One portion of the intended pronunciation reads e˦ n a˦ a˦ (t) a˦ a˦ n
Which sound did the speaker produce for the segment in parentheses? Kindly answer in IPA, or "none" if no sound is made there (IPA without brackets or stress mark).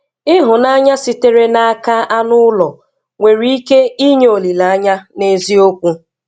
k